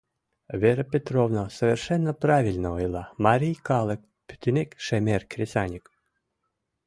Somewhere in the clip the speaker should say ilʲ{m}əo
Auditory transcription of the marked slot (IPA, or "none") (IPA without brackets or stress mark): n